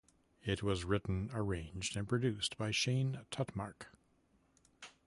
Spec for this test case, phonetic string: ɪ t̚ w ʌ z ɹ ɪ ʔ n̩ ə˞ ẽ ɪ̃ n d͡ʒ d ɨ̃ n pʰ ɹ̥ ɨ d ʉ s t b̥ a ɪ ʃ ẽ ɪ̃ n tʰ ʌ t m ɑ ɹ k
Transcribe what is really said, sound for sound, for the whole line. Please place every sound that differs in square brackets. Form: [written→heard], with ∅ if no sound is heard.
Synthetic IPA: ɪ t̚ w ʌ z ɹ ɪ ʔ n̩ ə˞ ẽ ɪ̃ n d͡ʒ d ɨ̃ n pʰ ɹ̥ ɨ d ʉ s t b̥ a ɪ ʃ ẽ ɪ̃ n tʰ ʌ t m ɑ ɹ k